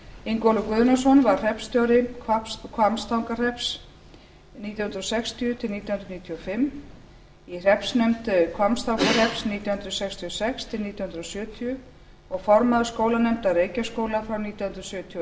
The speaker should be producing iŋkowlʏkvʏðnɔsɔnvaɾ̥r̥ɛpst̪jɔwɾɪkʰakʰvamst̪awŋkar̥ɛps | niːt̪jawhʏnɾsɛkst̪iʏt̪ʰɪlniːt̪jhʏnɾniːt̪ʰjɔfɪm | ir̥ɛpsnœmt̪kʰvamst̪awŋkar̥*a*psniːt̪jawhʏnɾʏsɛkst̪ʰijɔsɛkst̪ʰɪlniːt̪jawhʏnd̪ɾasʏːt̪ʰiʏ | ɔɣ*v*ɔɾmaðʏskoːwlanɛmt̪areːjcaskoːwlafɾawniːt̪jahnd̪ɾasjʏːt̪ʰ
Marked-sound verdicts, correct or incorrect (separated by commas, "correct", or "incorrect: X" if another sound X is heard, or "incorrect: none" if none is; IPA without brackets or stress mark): incorrect: ɛ, incorrect: f